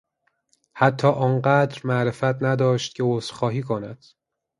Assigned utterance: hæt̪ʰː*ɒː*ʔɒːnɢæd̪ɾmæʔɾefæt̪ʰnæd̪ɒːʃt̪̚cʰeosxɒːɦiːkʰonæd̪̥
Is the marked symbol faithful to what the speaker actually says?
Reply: yes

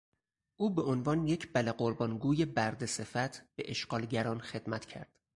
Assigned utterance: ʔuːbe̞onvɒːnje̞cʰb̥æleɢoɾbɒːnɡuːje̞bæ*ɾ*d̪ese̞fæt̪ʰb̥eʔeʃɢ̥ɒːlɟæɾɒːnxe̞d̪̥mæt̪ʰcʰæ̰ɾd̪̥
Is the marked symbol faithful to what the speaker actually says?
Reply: yes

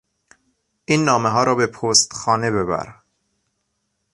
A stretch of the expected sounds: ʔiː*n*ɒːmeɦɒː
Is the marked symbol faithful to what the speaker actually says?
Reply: no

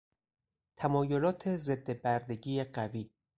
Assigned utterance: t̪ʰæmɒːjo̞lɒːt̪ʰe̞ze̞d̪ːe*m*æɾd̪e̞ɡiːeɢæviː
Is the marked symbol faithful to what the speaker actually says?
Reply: no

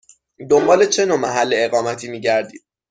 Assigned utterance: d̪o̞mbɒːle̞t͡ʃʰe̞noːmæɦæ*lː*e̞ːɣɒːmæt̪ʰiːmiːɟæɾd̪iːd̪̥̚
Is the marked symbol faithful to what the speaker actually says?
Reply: yes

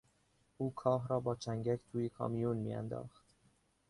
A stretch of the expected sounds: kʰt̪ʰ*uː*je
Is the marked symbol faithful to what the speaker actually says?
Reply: yes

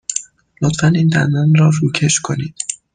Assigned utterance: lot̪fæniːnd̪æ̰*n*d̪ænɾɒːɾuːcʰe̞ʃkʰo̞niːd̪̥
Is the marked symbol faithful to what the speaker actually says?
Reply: yes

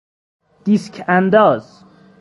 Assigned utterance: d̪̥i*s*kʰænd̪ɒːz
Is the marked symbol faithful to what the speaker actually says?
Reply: yes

